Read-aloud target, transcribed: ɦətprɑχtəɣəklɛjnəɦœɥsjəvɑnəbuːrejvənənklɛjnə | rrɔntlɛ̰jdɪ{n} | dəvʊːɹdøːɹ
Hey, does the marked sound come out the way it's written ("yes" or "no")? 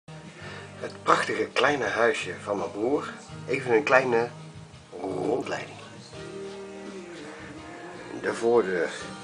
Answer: no